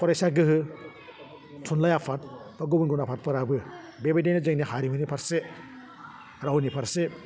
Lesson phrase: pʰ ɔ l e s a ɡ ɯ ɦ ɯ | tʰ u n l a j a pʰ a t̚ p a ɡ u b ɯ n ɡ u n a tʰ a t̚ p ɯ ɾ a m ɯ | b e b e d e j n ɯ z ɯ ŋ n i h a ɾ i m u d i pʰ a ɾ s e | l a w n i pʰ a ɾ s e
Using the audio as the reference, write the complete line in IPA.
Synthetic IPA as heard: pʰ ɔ ɾ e s a ɡ ɯ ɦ ɯ | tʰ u n l a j a pʰ a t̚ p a ɡ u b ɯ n ɡ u n a pʰ a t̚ p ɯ ɾ a b ɯ | b e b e d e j n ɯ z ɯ ŋ n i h a ɾ i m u n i pʰ a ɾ s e | ɾ a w n i pʰ a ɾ s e